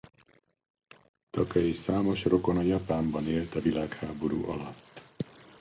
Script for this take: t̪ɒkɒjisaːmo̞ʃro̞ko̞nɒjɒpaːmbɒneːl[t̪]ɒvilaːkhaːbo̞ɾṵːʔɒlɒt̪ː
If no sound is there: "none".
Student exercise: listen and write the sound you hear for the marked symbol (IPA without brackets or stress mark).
t̪